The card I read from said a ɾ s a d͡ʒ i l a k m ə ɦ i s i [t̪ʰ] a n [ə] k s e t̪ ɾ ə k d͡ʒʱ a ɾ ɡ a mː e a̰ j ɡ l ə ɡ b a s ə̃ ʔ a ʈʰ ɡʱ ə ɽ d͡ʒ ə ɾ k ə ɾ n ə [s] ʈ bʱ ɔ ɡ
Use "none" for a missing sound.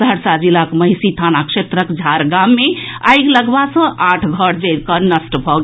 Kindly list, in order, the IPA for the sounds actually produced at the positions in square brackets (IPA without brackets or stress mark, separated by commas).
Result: t̪ʰ, a, s